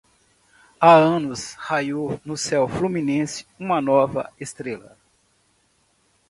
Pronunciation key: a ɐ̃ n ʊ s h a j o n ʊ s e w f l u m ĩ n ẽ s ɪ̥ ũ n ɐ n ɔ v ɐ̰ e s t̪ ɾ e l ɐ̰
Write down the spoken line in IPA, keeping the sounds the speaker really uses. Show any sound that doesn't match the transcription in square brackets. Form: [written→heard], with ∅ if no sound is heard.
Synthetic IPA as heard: a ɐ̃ n ʊ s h a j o n ʊ s [e→ɛ] w f l u m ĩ n ẽ s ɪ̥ ũ [n→m] ɐ n ɔ v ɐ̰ e s t̪ ɾ e l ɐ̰

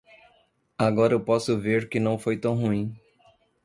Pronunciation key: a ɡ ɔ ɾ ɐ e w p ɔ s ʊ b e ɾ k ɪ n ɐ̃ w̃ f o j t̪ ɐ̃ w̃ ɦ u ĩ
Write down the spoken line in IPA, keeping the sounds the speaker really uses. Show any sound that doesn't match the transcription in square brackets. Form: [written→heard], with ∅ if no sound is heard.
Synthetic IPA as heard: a ɡ ɔ ɾ ɐ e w p ɔ s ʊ [b→v] e ɾ k ɪ n ɐ̃ w̃ f o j t̪ ɐ̃ w̃ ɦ u ĩ

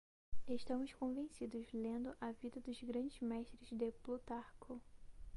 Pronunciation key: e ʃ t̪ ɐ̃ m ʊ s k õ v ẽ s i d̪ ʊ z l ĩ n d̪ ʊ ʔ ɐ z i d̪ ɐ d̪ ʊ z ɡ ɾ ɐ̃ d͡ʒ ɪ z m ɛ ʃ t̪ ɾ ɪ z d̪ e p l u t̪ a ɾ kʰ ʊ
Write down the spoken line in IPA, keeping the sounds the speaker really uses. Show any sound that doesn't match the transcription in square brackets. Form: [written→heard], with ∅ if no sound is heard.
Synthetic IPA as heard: e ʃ t̪ ɐ̃ m ʊ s k õ v ẽ s i d̪ ʊ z l [ĩ→ẽ] n d̪ ʊ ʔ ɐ [z→v] i d̪ ɐ d̪ ʊ z ɡ ɾ ɐ̃ d͡ʒ ɪ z m ɛ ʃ t̪ ɾ ɪ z d̪ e p l u t̪ a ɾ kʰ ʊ

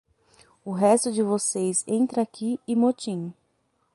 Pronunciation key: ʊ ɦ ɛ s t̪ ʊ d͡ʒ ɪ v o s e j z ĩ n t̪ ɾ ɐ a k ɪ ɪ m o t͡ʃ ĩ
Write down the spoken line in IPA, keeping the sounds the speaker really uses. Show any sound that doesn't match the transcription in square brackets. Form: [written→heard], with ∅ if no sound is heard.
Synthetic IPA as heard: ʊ ɦ ɛ s t̪ ʊ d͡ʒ ɪ v o s e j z [ĩ→ẽ] n t̪ ɾ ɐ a k [ɪ→i] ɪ m o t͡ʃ ĩ

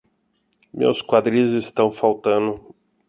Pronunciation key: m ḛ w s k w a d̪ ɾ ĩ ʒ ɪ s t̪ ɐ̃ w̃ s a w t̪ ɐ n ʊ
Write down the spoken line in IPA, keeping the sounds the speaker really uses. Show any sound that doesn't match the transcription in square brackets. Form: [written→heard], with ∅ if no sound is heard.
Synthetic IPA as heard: m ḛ w s k w a d̪ ɾ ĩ [ʒ→z] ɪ s t̪ ɐ̃ w̃ [s→f] a w t̪ [ɐ→ɐ̃] n ʊ

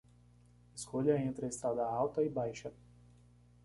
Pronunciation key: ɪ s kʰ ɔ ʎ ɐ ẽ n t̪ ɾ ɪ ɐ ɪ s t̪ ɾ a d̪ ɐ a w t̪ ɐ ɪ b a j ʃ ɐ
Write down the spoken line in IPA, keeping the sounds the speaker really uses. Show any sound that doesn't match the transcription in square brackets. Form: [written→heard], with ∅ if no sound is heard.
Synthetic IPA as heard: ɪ s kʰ [ɔ→o] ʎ ɐ ẽ n t̪ ɾ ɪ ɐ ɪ s t̪ ɾ a d̪ ɐ a w t̪ ɐ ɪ b a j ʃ ɐ

